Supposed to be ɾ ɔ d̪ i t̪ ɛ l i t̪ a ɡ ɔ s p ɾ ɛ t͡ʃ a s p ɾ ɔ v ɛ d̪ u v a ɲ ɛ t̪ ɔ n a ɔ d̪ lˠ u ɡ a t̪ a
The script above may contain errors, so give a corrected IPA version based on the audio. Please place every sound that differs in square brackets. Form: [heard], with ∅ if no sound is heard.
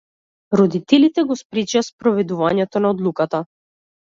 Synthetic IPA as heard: ɾ ɔ d̪ i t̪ ɛ l i t̪ [ɛ] ɡ ɔ s p ɾ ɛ t͡ʃ a s p ɾ ɔ v ɛ d̪ u v a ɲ ɛ t̪ ɔ n a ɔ d̪ lˠ u [k] a t̪ a